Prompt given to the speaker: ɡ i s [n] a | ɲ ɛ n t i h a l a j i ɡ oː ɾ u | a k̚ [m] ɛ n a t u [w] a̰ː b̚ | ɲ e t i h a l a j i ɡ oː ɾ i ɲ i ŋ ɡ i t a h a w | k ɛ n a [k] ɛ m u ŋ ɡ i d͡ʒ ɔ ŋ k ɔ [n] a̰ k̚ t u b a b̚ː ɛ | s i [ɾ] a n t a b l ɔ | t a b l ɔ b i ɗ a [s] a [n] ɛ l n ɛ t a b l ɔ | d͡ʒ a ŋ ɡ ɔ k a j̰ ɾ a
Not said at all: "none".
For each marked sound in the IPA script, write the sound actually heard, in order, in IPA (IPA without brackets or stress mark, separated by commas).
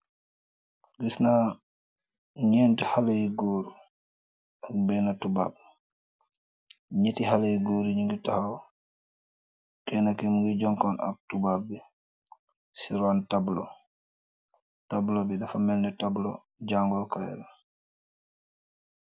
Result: n, b, b, k, n, ɾ, f, m